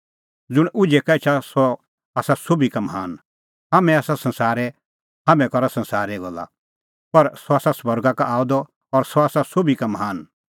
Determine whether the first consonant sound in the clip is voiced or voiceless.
voiced